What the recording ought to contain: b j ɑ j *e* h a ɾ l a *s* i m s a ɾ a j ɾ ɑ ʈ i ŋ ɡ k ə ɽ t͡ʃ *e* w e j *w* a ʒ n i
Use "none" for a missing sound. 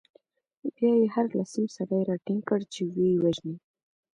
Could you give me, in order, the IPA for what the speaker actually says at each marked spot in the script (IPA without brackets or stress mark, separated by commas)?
e, s, e, w